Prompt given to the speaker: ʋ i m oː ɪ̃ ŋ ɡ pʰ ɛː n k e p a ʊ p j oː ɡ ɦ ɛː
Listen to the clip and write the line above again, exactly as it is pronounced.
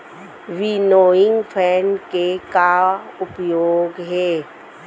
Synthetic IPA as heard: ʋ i n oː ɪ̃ ŋ ɡ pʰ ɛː n k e k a ʊ p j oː ɡ ɦ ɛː